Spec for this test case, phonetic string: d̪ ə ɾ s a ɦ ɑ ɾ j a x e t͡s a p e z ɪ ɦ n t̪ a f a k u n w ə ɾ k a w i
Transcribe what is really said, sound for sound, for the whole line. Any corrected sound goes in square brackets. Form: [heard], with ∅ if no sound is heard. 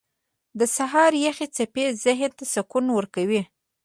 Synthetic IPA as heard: d̪ ə [∅] s a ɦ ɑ ɾ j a x e t͡s a p e z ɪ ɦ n t̪ a [s] a k u n w ə ɾ k a w i